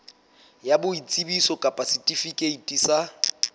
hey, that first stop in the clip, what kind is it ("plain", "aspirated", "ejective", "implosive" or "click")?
plain